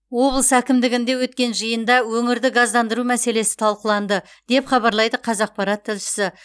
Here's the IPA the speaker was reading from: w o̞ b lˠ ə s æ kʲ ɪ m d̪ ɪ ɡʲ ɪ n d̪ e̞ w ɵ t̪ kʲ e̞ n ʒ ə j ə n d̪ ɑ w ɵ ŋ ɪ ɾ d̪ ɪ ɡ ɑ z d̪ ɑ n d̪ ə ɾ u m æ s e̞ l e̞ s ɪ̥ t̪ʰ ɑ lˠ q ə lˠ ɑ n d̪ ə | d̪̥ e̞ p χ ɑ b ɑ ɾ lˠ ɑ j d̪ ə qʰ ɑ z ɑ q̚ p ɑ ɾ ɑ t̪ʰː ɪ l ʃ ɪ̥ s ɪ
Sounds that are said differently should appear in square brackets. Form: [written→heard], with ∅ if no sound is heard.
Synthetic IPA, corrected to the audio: w o̞ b lˠ ə s æ kʲ ɪ m d̪ ɪ ɡʲ ɪ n d̪ e̞ w ɵ t̪ kʲ e̞ n ʒ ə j ə n d̪ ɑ w ɵ ŋ ɪ ɾ d̪ ɪ ɡ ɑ z d̪ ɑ n d̪ ə ɾ u m æ s e̞ l e̞ s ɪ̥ t̪ʰ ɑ lˠ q ə lˠ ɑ n d̪ ə | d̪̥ e̞ p χ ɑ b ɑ ɾ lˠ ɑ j d̪ ə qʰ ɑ z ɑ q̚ p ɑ ɾ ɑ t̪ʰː ɪ l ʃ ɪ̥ s ɪ

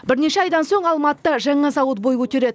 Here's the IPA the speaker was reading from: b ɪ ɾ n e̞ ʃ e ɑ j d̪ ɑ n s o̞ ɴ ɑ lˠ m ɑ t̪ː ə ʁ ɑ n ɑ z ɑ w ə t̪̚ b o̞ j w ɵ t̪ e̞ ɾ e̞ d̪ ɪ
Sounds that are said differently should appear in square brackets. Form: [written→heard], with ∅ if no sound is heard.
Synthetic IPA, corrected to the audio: b ɪ ɾ n e̞ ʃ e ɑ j d̪ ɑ n s o̞ ɴ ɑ lˠ m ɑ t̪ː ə [ʁ→ʒ] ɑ [n→ɴ] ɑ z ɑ w ə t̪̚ b o̞ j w ɵ t̪ e̞ ɾ e̞ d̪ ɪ

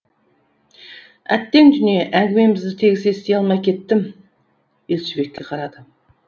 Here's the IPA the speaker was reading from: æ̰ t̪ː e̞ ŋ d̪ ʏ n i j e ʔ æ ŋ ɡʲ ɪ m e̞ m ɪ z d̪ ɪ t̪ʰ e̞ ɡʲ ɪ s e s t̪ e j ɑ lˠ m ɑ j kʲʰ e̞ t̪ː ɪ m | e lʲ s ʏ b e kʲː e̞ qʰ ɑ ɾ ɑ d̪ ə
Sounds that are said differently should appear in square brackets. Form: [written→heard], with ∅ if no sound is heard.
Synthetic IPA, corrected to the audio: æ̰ t̪ː e̞ ŋ d̪ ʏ n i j e ʔ æ ŋ ɡʲ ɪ m e̞ m ɪ z d̪ ɪ t̪ʰ e̞ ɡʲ ɪ s e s t̪ e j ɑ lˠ m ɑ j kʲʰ e̞ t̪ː ɪ m | e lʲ s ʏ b e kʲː e̞ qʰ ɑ ɾ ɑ d̪ ə

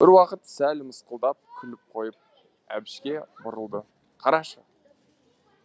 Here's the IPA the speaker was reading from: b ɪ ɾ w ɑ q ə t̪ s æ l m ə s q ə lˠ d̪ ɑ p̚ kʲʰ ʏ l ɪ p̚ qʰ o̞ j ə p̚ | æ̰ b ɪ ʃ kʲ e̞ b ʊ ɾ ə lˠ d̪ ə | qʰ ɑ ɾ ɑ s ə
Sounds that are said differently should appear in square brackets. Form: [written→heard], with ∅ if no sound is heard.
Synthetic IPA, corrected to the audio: b ɪ ɾ w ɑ q ə t̪ s æ l m ə s q ə lˠ d̪ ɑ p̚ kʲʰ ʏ l ɪ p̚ qʰ o̞ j ə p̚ | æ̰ b ɪ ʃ kʲ e̞ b ʊ ɾ ə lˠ d̪ ə | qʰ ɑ ɾ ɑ [s→ʃ] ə

